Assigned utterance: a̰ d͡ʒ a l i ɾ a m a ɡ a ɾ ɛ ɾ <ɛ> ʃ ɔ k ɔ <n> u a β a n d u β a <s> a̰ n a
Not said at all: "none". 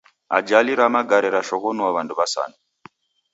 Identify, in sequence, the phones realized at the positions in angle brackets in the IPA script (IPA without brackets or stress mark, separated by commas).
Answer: a, n, s